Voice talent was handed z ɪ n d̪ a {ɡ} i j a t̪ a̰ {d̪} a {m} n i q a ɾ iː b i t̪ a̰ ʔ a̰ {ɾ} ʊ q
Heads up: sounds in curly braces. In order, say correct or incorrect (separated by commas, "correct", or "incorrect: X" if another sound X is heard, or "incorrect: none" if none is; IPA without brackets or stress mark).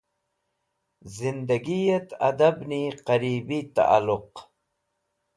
correct, correct, incorrect: b, incorrect: l